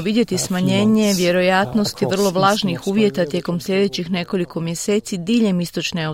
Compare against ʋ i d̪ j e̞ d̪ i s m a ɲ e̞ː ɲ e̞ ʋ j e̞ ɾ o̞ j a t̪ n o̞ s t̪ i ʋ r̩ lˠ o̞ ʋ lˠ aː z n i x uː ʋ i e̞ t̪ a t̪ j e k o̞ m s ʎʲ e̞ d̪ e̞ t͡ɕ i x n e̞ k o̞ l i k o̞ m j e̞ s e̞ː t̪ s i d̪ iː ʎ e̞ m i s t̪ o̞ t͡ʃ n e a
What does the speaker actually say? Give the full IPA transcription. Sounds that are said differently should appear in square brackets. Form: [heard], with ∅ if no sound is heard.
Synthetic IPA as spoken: ʋ i d̪ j e̞ [t̪] i s m a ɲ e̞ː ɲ e̞ ʋ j e̞ ɾ o̞ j a t̪ n o̞ s t̪ i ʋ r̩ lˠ o̞ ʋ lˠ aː [ʒ] n i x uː ʋ [j] e̞ t̪ a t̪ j e k o̞ m s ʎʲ e̞ d̪ e̞ t͡ɕ i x n e̞ k o̞ l i k o̞ m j e̞ s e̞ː t̪ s i d̪ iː ʎ e̞ m i s t̪ o̞ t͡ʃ n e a